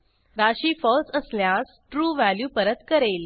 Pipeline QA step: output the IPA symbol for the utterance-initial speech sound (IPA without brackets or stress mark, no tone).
ɾ